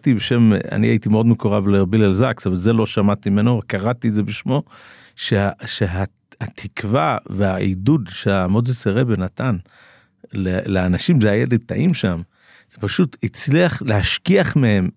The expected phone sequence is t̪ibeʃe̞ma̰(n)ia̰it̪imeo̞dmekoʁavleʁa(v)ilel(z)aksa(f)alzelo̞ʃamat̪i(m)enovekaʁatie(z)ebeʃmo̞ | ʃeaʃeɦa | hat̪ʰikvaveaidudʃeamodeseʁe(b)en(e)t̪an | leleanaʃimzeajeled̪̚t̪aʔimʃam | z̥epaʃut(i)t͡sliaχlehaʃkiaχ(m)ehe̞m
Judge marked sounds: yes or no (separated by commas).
yes, no, yes, no, yes, yes, yes, no, yes, yes